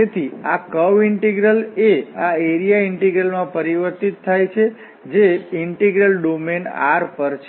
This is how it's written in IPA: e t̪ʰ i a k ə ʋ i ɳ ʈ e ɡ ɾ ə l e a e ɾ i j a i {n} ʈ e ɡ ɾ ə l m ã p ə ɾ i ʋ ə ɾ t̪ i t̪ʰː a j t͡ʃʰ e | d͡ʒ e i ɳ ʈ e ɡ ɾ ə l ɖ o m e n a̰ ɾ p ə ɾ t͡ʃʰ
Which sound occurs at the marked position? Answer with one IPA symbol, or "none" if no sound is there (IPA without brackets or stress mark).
ɳ